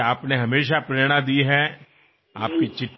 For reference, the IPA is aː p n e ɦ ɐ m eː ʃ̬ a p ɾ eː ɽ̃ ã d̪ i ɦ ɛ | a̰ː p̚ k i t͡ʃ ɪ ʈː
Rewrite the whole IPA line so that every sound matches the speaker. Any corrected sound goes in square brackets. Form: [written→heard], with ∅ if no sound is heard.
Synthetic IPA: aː p n e ɦ ɐ m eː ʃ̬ a p ɾ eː ɽ̃ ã d̪ i ɦ ɛ | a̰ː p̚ k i t͡ʃ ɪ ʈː